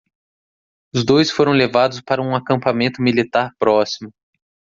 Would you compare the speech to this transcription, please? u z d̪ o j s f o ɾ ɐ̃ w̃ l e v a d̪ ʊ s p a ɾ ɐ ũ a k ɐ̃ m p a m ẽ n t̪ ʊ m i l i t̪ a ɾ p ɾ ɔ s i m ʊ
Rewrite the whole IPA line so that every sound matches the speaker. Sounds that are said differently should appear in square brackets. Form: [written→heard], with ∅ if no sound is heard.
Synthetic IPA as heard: [u→ʊ] z d̪ o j s f o ɾ ɐ̃ w̃ l e v a d̪ ʊ s p a ɾ ɐ ũ a k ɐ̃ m p a m ẽ n t̪ ʊ m i l i t̪ a ɾ p ɾ ɔ s i m ʊ

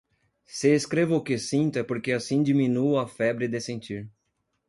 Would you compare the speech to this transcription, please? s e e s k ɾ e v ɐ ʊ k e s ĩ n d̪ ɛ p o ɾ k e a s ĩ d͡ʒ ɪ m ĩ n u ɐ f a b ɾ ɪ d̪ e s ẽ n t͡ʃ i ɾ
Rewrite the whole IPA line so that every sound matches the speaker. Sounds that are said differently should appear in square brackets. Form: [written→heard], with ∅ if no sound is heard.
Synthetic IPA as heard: s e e s k ɾ e v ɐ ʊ k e s ĩ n [d̪→t̪] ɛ p o ɾ k e a s ĩ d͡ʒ [ɪ→i] m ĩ n u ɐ f [a→ɛ] b ɾ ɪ d̪ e s ẽ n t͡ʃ i ɾ

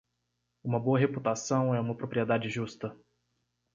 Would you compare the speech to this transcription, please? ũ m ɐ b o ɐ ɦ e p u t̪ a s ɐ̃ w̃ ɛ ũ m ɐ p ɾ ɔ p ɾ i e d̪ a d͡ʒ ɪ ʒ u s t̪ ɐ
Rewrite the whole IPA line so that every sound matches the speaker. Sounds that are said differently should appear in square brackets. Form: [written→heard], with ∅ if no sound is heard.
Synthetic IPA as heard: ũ m ɐ b o ɐ ɦ e p u t̪ a s ɐ̃ w̃ ɛ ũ m ɐ p ɾ [ɔ→o] p ɾ i e d̪ a d͡ʒ ɪ ʒ u s t̪ ɐ

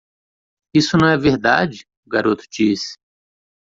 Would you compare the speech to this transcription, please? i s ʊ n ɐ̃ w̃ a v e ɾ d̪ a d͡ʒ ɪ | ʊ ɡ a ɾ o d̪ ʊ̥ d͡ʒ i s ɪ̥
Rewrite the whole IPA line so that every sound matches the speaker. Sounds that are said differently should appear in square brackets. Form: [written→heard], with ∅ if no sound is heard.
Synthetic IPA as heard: i s ʊ n ɐ̃ w̃ [a→ɛ] v e ɾ d̪ a d͡ʒ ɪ | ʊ ɡ a ɾ o [d̪→t̪] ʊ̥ d͡ʒ i s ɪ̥

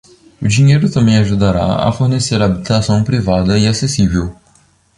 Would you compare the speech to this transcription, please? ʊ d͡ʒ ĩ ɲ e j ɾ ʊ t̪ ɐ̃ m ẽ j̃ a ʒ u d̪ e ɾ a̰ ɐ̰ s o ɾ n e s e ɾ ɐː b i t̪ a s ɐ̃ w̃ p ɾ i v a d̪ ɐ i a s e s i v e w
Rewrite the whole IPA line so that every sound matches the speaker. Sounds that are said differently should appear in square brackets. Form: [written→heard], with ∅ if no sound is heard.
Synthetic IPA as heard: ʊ d͡ʒ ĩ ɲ e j ɾ ʊ t̪ ɐ̃ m ẽ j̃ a ʒ u d̪ [e→a] ɾ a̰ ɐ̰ [s→f] o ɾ n e s e ɾ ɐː b i t̪ a s ɐ̃ w̃ p ɾ i v a d̪ ɐ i a s e s i v e w

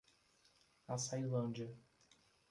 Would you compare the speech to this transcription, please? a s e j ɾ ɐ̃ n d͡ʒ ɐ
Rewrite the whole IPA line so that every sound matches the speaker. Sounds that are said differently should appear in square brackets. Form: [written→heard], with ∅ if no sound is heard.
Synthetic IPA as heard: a s [e→a] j [ɾ→l] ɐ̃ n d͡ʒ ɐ

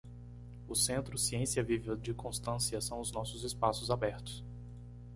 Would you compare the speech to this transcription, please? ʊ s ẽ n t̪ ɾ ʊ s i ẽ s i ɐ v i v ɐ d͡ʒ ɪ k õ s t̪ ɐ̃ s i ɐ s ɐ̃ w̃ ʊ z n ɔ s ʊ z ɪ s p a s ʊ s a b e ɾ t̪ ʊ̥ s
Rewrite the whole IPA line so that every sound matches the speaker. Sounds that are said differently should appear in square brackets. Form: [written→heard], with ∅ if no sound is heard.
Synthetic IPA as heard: ʊ s ẽ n t̪ ɾ ʊ s i ẽ s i ɐ v i v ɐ d͡ʒ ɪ k õ s t̪ ɐ̃ s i ɐ s ɐ̃ w̃ ʊ z n ɔ s ʊ z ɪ s p a s ʊ [s→z] a b [e→ɛ] ɾ t̪ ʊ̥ s

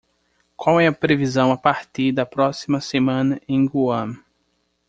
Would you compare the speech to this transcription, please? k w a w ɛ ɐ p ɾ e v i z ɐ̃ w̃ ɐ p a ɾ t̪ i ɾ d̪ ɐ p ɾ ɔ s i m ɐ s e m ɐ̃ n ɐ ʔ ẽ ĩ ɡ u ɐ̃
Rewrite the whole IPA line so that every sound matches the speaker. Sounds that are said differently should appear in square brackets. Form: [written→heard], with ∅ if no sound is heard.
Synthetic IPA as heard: k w a w ɛ ɐ p ɾ e v i z ɐ̃ w̃ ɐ p a ɾ t̪ i ɾ d̪ ɐ p ɾ ɔ s i m ɐ s e m ɐ̃ n ɐ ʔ ẽ [ĩ→j̃] ɡ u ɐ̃

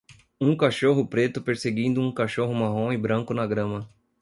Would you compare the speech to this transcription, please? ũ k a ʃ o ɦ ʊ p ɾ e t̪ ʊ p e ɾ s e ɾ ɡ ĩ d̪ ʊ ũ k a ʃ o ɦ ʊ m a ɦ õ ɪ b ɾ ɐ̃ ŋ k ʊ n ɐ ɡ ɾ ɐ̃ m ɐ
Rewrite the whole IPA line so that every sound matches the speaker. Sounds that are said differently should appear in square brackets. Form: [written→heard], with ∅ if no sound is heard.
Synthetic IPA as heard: ũ k a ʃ o ɦ ʊ p ɾ e t̪ ʊ p e ɾ s e [ɾ→∅] ɡ ĩ d̪ ʊ ũ k a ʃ o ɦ ʊ m a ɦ õ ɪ b ɾ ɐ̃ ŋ k ʊ n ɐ ɡ ɾ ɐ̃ m ɐ

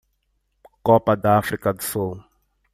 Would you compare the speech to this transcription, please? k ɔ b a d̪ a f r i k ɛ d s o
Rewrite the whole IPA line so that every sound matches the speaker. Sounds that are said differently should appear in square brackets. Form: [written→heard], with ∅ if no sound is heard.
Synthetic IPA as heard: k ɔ [b→p] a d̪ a f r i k [ɛ→a] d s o

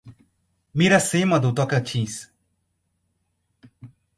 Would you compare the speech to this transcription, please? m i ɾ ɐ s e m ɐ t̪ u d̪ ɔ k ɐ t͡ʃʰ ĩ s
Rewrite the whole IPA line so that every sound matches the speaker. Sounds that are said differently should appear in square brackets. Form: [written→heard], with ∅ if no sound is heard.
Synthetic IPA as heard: m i ɾ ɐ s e m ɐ [t̪→d̪] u [d̪→t̪] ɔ k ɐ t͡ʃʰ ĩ s

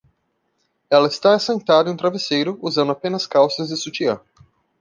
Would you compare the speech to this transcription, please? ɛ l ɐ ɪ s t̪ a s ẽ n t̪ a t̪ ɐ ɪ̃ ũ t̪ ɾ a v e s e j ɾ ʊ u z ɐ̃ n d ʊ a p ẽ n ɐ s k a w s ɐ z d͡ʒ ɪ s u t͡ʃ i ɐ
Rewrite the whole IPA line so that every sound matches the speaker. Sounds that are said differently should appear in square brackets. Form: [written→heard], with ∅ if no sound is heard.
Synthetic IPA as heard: ɛ l ɐ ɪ s t̪ a s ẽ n t̪ a [t̪→d̪] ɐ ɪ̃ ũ t̪ ɾ a v e s e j ɾ ʊ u z ɐ̃ n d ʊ a p ẽ n ɐ s k a w s ɐ z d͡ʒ ɪ s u t͡ʃ i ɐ

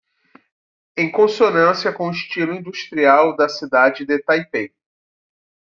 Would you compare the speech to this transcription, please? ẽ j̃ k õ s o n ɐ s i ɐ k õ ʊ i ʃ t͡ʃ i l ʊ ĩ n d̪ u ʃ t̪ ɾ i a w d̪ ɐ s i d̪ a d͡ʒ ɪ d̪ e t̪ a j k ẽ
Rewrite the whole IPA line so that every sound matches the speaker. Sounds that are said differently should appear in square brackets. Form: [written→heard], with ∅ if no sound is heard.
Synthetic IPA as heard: ẽ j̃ k õ s o n [ɐ→ɐ̃] s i ɐ k õ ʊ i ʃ t͡ʃ i l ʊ ĩ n d̪ u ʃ t̪ ɾ i a w d̪ ɐ s i d̪ a d͡ʒ ɪ d̪ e t̪ a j [k→p] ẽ

